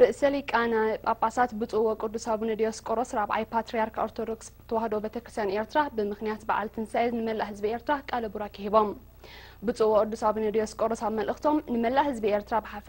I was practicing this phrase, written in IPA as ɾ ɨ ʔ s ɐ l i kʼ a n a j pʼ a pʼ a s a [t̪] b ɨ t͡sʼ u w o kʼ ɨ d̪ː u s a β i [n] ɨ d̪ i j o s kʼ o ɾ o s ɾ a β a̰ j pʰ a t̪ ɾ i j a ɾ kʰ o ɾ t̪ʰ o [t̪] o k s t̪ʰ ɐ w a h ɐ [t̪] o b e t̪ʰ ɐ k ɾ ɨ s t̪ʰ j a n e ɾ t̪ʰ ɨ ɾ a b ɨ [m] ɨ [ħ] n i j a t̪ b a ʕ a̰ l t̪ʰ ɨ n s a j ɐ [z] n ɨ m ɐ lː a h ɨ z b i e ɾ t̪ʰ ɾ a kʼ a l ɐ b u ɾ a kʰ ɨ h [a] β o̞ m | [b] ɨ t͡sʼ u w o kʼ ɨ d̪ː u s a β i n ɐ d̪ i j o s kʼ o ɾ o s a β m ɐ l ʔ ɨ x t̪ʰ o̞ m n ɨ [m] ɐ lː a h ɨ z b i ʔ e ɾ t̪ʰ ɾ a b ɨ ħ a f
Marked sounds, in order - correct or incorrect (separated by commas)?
correct, correct, incorrect, incorrect, correct, incorrect, correct, incorrect, correct, correct